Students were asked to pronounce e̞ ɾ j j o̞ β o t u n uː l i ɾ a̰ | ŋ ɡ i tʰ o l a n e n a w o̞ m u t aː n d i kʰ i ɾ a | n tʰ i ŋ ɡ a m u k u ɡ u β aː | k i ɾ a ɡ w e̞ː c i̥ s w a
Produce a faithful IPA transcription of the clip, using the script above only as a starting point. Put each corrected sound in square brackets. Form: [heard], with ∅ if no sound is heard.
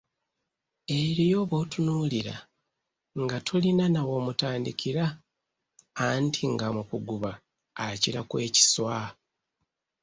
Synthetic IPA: e̞ ɾ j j o̞ β o t u n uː l i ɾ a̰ | ŋ ɡ [a] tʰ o l [i] n [a] n a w o̞ m u t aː n d i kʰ i ɾ a | n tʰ i ŋ ɡ a m u k u ɡ u β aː | [c] i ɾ a [k] w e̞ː c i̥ s w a

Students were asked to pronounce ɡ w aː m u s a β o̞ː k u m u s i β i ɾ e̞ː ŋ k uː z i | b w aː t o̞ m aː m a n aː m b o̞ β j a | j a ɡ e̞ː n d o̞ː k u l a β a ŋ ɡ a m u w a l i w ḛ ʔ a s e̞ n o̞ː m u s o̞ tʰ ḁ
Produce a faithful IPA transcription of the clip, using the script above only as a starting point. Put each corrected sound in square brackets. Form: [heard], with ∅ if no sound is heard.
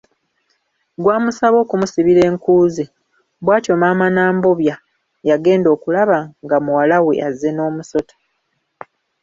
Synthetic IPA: ɡ w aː m u s a β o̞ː k u m u s i β i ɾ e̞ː ŋ k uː z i | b w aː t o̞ m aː m a n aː m b o̞ β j a | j a ɡ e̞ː n d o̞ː k u l a β a ŋ ɡ a m u w a l [a] w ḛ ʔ a [z] e̞ n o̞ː m u s o̞ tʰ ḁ

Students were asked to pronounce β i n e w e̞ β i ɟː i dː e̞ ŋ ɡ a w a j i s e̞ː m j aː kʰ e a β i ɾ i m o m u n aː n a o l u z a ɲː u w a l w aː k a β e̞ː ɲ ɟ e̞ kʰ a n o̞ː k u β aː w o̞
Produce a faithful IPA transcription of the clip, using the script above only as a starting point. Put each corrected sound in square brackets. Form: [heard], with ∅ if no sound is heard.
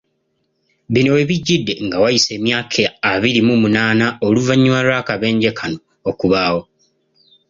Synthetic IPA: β i n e w e̞ β i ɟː i dː e̞ ŋ ɡ a w a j i s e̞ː m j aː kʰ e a β i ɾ i m [u] m u n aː n a o l u [v] a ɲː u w a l w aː k a β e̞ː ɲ ɟ e̞ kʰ a n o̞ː k u β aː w o̞

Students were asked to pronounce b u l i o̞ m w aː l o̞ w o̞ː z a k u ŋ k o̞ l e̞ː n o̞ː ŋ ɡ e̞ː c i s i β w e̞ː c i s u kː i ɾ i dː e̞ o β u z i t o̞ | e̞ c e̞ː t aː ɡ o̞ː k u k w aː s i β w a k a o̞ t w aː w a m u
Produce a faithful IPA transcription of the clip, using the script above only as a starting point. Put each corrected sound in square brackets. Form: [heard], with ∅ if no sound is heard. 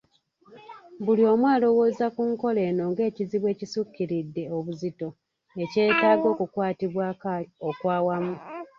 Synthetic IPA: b u l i o̞ m w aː l o̞ w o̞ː z a k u ŋ k o̞ l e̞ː n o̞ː ŋ ɡ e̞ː c i [z] i β w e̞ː c i s u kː i ɾ i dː e̞ o β u z i t o̞ | e̞ c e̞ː t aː ɡ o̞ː k u k w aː [t] i β w a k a o̞ [k] w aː w a m u

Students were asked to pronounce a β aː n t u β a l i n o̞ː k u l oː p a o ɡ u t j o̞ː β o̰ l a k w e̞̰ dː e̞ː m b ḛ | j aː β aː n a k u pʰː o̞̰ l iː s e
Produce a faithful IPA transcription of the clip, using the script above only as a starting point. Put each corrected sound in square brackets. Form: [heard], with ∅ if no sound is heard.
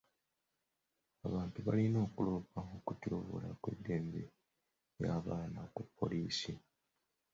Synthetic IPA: a β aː n t u β a l i n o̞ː k u l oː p a o [k] u t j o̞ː β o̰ l a k w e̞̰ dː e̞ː m b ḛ | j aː β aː n a k u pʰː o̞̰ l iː s [i]

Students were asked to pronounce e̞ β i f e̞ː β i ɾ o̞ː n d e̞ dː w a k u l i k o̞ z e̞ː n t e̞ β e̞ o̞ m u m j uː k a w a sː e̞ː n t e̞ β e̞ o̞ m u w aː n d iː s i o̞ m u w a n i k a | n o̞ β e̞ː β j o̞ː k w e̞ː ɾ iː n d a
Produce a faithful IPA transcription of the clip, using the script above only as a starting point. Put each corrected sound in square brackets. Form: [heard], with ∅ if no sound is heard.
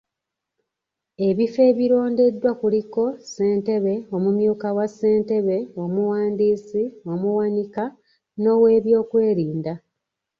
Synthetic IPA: e̞ β i f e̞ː β i ɾ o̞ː n d e̞ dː w a k u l i k o̞ [s] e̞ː n t e̞ β e̞ o̞ m u m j uː k a w a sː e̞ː n t e̞ β e̞ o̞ m u w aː n d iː s i o̞ m u w a n i k a | n o̞ [w] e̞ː β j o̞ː k w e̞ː ɾ iː n d a

